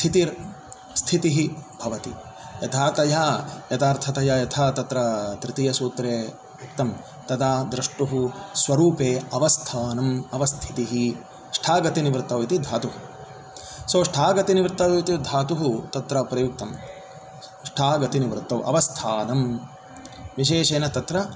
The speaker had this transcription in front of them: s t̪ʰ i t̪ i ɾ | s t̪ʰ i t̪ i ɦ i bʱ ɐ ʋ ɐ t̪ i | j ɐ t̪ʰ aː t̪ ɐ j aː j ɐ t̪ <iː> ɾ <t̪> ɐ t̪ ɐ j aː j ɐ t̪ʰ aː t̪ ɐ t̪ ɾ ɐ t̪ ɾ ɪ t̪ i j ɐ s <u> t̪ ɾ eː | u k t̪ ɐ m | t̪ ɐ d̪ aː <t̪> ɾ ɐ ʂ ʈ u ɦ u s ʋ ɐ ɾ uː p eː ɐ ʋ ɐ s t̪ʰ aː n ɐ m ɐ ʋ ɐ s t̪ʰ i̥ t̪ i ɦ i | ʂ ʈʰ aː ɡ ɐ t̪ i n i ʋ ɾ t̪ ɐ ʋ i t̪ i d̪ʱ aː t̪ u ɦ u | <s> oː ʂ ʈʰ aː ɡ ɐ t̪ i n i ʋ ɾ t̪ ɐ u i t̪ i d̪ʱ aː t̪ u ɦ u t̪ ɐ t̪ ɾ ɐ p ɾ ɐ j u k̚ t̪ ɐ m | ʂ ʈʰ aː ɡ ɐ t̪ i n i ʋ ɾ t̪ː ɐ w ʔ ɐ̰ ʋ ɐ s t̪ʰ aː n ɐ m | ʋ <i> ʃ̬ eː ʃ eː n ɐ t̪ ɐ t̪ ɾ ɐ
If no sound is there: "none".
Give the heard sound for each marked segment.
aː, t̪ʰ, uː, d̪, s, i

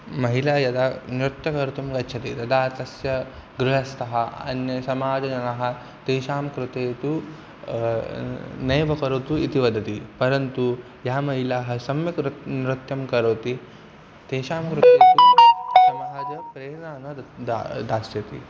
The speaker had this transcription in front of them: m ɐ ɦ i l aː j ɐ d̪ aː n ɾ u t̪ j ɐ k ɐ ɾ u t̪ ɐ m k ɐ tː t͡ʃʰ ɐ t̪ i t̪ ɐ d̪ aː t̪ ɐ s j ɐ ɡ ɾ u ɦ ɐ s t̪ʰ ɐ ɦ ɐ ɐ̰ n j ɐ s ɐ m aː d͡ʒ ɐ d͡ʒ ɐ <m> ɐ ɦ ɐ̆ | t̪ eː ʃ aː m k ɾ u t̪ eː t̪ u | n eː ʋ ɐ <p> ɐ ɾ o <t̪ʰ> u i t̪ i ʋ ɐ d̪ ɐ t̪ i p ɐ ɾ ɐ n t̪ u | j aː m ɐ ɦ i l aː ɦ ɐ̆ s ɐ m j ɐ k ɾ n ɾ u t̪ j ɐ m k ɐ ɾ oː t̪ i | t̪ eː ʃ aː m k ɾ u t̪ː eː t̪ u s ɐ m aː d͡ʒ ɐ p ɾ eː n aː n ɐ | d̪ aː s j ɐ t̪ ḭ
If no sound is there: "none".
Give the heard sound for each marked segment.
n, k, t̪

